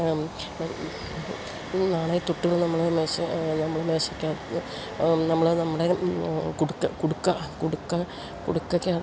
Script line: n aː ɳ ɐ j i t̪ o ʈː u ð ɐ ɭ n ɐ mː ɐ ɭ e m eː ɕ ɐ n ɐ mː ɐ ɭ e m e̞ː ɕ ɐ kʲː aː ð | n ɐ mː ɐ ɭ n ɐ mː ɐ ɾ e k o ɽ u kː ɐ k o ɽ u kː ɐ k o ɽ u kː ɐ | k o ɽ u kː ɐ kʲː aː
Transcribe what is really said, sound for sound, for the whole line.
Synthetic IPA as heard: n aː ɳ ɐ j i t̪ u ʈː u ɣ ɐ ɭ n ɐ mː ɐ ɭ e m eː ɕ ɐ n ɐ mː ɐ ɭ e m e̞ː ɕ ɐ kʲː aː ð | n ɐ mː ɐ ɭ n ɐ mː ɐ ɽ e k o ɽ u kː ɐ k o ɽ u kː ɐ k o ɽ u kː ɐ | k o ɽ u kː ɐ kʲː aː